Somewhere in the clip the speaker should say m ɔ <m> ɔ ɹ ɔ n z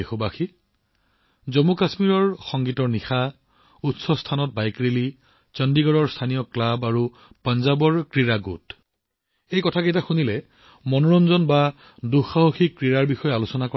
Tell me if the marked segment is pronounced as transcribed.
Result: no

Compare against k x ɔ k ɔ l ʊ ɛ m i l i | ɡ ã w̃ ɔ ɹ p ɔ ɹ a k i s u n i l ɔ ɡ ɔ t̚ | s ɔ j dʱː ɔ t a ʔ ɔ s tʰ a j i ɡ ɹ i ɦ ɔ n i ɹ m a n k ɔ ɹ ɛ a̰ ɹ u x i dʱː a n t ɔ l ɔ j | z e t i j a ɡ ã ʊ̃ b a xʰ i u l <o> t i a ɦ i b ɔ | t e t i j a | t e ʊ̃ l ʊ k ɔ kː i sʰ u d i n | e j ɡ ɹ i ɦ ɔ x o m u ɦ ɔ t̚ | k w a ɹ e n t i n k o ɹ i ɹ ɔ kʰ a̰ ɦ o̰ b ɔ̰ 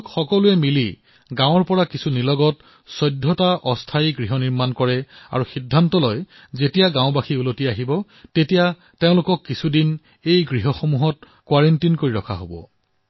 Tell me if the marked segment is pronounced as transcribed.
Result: yes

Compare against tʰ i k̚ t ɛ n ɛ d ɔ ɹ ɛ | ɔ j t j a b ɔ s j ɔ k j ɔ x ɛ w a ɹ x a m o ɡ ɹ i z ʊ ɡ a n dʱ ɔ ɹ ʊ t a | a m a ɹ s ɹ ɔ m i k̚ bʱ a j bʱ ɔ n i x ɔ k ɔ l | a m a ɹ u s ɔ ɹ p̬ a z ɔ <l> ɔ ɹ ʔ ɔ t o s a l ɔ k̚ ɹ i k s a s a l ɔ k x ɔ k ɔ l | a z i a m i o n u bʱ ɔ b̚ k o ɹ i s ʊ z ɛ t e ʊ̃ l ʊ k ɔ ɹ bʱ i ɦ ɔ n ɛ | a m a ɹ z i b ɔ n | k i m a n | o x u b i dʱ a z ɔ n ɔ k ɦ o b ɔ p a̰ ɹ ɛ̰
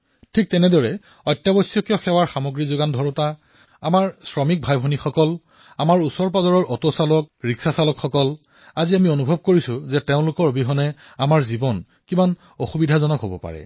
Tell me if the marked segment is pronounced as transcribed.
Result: no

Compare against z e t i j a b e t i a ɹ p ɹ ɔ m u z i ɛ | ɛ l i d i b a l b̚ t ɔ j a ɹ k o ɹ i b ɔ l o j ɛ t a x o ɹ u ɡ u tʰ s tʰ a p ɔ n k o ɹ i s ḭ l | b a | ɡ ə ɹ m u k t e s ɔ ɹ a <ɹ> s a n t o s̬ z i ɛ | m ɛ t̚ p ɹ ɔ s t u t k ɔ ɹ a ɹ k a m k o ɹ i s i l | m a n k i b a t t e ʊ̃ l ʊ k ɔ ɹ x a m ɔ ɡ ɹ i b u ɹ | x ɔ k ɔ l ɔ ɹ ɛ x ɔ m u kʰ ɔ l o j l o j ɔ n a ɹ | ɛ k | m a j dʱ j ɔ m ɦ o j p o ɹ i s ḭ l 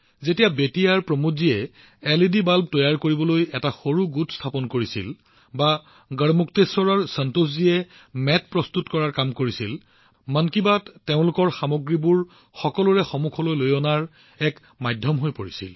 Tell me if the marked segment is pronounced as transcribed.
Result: yes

